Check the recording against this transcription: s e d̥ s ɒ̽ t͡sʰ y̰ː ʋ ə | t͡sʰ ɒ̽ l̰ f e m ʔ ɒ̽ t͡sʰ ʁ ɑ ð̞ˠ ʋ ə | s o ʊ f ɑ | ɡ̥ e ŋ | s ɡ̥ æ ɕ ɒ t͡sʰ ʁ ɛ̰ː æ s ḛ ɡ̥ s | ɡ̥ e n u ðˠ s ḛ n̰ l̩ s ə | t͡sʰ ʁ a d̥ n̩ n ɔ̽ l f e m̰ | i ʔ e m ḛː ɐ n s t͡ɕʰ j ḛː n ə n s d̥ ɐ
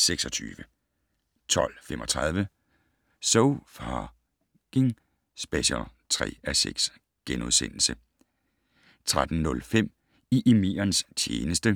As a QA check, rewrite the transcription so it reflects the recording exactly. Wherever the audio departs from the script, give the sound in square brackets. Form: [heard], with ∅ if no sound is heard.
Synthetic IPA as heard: s e [ɡ̥] s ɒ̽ t͡sʰ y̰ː ʋ ə | t͡sʰ ɒ̽ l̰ f e m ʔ ɒ̽ t͡sʰ ʁ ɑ ð̞ˠ ʋ ə | s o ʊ f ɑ | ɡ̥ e ŋ | s [b̥] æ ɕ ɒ t͡sʰ ʁ ɛ̰ː æ s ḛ ɡ̥ s | ɡ̥ e n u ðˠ s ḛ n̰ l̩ s ə | t͡sʰ ʁ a d̥ n̩ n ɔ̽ l f e m̰ | i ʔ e m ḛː ɐ n s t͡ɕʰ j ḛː n ə [∅] s d̥ [ə]